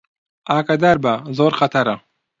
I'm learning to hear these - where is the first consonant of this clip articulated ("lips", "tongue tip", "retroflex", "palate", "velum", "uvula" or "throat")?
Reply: velum